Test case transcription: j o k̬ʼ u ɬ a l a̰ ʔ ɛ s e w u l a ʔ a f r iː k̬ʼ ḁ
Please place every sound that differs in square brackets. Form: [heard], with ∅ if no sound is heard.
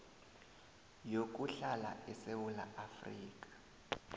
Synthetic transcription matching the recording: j o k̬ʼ u ɬ a l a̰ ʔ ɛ s e w u l a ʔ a f r iː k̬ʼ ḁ